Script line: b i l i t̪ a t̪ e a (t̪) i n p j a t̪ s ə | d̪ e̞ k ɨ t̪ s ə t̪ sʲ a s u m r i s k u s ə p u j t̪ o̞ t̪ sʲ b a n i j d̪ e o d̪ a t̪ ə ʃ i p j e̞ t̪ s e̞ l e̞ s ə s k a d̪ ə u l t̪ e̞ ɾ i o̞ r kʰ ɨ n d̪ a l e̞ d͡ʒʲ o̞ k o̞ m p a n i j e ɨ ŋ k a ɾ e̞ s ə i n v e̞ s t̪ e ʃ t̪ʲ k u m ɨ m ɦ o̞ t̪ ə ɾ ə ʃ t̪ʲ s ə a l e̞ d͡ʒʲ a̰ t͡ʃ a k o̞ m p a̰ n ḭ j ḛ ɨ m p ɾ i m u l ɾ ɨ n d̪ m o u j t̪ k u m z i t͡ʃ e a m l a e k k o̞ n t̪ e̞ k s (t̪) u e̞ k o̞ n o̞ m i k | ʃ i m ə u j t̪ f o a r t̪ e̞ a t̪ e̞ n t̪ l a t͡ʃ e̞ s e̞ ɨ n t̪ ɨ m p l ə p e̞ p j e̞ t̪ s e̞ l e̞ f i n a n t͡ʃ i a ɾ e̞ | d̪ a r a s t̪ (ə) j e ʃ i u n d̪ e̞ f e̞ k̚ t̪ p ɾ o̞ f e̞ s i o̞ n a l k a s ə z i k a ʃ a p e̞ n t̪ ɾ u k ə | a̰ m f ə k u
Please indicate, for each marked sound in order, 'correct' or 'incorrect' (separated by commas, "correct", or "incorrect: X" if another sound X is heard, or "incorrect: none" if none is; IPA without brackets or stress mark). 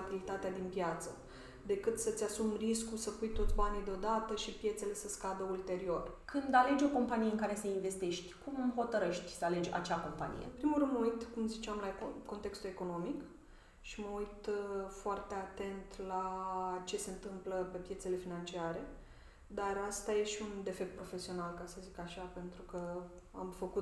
incorrect: d̪, correct, incorrect: a